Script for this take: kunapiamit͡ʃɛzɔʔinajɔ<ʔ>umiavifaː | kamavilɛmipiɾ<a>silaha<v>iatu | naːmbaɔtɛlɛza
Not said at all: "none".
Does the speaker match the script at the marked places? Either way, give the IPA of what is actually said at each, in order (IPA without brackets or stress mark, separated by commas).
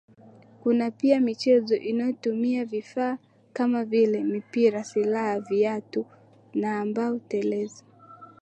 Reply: t, a, v